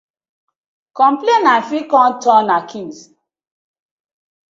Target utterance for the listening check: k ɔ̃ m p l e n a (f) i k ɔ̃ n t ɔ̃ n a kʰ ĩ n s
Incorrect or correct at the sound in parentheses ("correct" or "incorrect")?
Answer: correct